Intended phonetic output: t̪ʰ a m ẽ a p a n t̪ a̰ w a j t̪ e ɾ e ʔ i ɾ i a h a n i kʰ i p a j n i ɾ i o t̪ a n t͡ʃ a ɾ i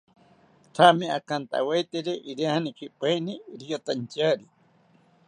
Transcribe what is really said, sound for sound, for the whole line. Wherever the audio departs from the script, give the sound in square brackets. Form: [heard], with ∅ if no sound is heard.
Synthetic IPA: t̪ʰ a m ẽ a [k] a n t̪ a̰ w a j t̪ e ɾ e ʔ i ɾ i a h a n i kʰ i p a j n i ɾ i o t̪ a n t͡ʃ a ɾ i